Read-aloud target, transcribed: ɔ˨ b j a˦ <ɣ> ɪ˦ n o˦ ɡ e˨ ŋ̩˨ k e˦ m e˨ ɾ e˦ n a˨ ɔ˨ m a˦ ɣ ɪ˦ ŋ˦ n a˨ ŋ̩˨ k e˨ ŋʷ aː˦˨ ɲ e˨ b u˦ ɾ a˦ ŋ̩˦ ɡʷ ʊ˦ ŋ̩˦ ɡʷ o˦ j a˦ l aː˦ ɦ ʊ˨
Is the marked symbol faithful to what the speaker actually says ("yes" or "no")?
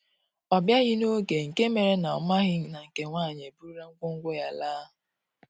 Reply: yes